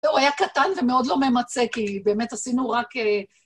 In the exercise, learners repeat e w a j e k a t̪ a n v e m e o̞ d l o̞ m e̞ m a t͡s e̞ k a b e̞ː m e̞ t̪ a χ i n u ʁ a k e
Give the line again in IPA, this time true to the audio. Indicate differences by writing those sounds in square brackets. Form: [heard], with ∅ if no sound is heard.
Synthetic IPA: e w a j [a] k a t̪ a n v e m e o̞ d l o̞ m e̞ m a t͡s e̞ k [i] b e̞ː m e̞ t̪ a [s] i n u ʁ a k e